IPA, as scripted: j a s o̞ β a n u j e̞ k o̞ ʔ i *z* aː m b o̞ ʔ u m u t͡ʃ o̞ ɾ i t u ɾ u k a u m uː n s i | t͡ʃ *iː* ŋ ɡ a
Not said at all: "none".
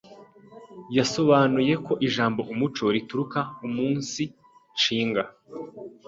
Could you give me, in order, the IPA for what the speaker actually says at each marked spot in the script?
ʒ, iː

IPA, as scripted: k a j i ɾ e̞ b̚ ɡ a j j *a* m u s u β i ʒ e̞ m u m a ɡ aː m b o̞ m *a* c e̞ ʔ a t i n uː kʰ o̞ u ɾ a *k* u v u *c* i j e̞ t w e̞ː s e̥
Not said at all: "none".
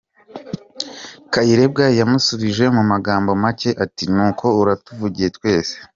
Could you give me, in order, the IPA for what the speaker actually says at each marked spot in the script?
a, a, t, ɟ

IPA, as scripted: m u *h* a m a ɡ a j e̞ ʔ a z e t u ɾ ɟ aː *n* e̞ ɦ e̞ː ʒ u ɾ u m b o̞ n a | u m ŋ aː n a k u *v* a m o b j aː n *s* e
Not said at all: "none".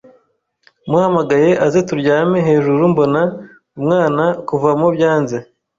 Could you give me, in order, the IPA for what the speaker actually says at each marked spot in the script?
h, m, v, z

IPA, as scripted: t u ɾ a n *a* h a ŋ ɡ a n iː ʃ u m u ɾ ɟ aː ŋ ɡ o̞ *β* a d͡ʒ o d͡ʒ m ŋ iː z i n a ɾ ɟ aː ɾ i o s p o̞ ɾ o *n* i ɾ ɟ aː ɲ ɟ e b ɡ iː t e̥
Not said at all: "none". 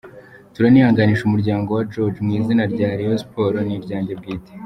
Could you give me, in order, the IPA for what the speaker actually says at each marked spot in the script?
i, w, n

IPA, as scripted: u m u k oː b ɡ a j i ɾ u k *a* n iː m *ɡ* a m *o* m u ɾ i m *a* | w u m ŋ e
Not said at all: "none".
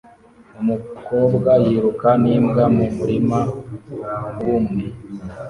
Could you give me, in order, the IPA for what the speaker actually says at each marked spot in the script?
a, ɡ, u, a

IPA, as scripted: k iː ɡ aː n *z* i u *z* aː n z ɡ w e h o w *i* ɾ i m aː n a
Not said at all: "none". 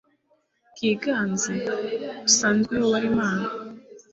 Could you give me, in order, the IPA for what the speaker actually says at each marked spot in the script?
z, s, a

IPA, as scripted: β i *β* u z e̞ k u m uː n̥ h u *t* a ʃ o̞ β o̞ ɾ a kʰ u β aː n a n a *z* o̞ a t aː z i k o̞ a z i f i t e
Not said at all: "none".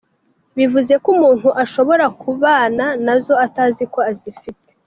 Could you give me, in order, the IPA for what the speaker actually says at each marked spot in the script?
v, ʔ, z

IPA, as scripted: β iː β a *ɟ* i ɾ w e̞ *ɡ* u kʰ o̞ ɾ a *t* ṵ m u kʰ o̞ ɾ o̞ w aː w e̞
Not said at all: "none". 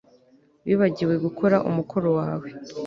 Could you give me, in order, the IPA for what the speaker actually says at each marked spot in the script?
ɟ, ɡ, ʔ

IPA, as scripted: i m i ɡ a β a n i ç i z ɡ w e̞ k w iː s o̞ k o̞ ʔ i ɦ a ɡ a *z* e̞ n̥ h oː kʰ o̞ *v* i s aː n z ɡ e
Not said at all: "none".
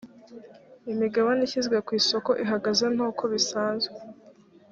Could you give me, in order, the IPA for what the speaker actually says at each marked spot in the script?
z, β

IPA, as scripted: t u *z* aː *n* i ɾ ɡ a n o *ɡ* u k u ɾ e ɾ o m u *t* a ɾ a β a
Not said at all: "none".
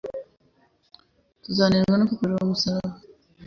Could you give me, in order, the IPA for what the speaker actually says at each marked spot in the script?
z, n, k, s

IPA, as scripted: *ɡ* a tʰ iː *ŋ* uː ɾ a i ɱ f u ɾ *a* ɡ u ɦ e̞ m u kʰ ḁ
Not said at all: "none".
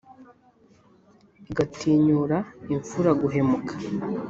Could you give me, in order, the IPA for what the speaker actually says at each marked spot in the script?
ɡ, ɲ, a

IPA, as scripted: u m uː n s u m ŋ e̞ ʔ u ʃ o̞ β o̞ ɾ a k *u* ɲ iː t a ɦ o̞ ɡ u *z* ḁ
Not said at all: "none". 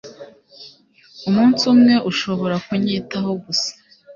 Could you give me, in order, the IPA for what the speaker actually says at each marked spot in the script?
u, s

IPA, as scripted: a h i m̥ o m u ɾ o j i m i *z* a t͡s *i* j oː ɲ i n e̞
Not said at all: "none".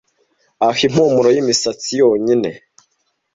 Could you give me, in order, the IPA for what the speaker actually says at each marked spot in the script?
s, i

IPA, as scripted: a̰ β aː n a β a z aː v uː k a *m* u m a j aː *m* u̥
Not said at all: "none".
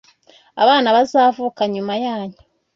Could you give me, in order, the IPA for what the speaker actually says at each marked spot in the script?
ɲ, ɲ

